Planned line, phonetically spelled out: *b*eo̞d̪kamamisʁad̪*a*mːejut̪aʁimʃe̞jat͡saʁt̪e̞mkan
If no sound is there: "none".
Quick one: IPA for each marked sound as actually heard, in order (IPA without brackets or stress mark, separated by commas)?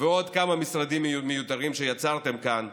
v, i